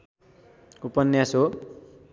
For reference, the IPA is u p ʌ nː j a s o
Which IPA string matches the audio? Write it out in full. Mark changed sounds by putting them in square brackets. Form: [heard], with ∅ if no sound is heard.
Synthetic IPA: u p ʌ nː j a s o